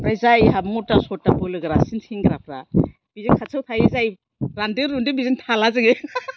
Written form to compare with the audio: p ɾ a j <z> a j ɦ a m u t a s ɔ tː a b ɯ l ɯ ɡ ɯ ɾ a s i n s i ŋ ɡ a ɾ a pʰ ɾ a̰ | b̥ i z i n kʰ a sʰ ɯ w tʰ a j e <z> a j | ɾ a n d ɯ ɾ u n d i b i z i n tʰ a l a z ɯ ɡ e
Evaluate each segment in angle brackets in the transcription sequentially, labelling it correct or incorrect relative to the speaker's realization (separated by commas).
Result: correct, correct